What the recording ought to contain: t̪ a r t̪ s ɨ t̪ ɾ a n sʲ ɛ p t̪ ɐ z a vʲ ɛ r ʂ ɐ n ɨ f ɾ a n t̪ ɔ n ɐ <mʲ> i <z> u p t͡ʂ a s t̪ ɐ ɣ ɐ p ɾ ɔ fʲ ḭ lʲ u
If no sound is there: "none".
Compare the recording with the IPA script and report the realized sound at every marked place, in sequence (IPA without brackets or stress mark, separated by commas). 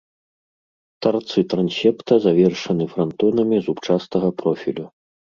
mʲ, z